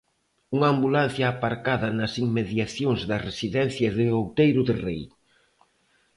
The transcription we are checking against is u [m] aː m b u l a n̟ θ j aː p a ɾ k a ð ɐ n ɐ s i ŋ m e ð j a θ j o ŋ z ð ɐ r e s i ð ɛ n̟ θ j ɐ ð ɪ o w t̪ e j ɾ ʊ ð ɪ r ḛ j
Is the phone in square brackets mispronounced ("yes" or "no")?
yes